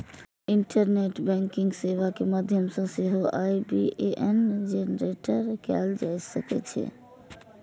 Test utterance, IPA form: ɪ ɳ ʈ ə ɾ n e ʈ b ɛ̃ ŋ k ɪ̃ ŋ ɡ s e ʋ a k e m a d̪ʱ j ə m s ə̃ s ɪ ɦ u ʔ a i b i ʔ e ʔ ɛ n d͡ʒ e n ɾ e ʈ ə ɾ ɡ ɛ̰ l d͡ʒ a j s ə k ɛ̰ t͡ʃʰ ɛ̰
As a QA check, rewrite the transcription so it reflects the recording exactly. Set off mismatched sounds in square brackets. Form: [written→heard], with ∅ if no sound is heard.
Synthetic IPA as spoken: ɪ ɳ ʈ ə ɾ n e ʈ b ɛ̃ ŋ k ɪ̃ ŋ ɡ s e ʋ a k e m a d̪ʱ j ə m s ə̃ s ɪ ɦ [u→o] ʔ a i b i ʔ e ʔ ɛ n d͡ʒ e n ɾ e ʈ ə ɾ [ɡ→k] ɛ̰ l d͡ʒ a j s ə k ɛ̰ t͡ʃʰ ɛ̰